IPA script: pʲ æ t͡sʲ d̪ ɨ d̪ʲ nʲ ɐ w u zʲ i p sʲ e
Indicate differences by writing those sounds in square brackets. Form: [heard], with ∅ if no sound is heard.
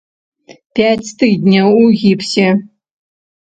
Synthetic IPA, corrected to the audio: pʲ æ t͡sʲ [t̪] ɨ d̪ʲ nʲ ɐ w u [ɣʲ] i p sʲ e